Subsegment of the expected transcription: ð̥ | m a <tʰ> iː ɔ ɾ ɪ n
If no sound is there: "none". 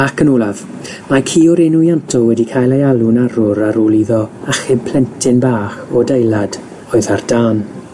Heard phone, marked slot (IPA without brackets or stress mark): kʰ